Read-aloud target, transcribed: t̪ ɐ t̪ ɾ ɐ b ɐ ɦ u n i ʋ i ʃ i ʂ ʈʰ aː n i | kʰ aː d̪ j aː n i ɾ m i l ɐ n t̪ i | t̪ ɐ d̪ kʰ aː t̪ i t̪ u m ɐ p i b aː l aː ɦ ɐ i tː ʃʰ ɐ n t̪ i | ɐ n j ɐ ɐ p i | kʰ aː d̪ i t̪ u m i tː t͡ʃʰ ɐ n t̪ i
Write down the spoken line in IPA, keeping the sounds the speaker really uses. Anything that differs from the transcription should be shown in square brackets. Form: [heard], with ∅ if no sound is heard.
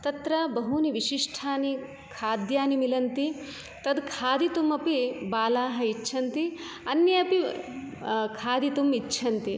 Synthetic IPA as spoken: t̪ ɐ t̪ ɾ ɐ b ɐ ɦ u n i ʋ i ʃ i ʂ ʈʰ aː n i | kʰ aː d̪ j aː n i [∅] m i l ɐ n t̪ i | t̪ ɐ d̪ kʰ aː [d̪] i t̪ u m ɐ p i b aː l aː ɦ ɐ i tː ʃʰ ɐ n t̪ i | ɐ n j ɐ ɐ p i | kʰ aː d̪ i t̪ u m i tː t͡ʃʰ ɐ n t̪ i